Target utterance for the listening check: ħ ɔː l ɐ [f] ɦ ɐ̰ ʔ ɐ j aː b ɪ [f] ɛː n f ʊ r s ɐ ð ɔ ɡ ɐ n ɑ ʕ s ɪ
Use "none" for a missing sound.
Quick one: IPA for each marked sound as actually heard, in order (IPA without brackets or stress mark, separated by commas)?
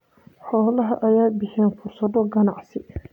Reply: none, ħ